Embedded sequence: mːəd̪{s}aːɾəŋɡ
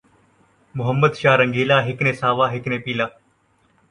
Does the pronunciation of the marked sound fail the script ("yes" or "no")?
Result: yes